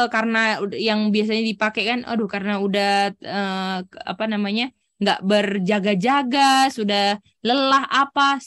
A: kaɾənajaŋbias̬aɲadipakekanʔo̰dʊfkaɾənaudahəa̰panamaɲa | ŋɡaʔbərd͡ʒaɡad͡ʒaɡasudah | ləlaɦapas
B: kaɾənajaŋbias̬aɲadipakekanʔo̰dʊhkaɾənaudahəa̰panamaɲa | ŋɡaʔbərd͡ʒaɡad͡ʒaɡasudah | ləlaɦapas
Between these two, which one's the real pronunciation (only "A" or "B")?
B